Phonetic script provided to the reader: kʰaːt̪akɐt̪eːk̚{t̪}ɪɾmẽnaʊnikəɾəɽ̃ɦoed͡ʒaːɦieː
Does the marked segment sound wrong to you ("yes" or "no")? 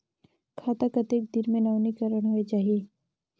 yes